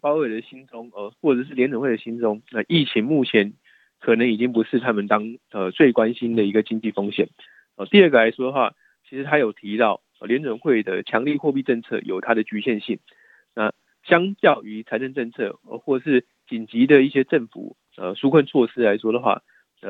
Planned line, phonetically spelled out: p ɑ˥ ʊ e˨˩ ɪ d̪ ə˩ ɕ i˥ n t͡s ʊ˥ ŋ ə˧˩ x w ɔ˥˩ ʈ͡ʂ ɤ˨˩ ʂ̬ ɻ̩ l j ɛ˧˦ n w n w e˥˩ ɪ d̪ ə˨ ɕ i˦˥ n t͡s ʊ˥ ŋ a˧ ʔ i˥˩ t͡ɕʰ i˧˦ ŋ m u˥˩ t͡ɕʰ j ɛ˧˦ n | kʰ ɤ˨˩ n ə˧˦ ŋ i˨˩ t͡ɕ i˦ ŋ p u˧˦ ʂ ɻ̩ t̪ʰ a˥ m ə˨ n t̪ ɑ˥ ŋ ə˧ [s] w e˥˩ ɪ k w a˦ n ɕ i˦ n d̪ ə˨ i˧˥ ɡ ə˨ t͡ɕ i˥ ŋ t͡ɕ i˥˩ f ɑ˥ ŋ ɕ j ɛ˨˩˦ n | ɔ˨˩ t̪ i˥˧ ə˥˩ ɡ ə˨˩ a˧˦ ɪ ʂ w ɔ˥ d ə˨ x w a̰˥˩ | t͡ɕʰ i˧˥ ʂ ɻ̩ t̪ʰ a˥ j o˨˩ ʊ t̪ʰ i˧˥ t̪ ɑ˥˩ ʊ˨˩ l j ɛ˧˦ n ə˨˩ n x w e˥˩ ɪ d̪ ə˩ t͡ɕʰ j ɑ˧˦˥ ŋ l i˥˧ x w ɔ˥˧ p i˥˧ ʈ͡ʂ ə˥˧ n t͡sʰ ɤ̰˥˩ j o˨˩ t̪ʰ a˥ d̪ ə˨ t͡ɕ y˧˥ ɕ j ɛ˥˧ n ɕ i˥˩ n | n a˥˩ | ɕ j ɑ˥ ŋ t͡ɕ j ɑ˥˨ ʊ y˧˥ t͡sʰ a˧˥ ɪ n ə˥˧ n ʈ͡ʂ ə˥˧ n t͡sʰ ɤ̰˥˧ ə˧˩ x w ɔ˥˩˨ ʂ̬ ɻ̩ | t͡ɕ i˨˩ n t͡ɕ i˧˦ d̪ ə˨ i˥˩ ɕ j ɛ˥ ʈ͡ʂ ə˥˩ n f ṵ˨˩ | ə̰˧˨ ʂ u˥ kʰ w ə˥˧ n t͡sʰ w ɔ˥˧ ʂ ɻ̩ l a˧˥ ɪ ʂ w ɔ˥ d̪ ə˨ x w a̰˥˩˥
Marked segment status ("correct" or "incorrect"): incorrect